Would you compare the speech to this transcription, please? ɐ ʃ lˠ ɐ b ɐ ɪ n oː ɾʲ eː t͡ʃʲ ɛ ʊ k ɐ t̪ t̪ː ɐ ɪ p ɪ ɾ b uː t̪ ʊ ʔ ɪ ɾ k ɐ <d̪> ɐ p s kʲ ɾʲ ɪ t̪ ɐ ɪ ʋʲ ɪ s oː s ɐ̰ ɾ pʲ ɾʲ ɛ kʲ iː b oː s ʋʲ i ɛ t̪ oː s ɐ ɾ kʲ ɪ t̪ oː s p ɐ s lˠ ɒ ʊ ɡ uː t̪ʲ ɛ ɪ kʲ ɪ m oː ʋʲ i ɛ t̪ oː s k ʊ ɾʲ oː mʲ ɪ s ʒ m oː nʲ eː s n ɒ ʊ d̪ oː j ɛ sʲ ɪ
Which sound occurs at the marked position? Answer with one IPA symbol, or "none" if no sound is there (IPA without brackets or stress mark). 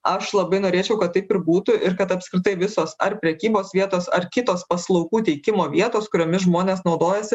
t̪